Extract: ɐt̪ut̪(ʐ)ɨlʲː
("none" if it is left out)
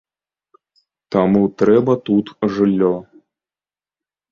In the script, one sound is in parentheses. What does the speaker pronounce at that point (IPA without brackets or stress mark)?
ʐ